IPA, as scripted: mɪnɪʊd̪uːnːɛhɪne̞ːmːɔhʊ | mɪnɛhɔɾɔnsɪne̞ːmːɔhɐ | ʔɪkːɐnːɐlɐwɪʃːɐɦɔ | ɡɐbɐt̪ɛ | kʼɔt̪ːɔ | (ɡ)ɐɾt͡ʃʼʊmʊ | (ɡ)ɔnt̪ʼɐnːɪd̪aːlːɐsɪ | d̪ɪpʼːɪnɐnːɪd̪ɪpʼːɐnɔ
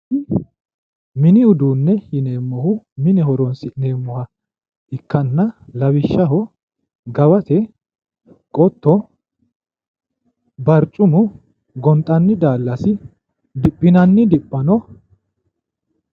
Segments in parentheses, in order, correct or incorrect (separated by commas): incorrect, correct